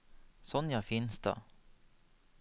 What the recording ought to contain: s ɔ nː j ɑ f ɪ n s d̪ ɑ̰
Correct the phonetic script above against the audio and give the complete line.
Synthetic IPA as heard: s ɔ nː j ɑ f ɪ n s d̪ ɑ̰